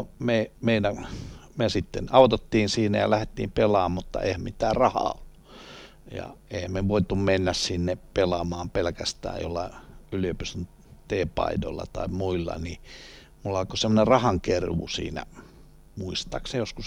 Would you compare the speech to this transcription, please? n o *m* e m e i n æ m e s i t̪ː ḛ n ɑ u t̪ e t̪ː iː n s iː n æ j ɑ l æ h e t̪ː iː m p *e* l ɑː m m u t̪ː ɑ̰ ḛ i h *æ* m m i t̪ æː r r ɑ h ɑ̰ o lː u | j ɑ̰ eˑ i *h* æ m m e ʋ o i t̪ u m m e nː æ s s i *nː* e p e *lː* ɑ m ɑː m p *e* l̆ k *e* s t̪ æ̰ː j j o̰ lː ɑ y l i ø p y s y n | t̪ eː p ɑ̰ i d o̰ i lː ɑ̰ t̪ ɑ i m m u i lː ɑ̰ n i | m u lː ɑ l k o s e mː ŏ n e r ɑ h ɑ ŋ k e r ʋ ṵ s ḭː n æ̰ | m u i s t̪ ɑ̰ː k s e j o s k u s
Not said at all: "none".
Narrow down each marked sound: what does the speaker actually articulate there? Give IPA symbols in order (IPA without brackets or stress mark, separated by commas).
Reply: m, e, æ, h, nː, l, e, æ